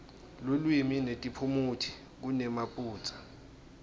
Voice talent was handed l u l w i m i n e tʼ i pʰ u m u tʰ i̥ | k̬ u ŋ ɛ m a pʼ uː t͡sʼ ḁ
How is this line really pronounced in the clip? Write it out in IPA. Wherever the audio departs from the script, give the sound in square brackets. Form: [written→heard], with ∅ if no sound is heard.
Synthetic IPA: l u l w i m i n e tʼ i pʰ u m u tʰ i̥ | k̬ u [ŋ→n] ɛ m a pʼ uː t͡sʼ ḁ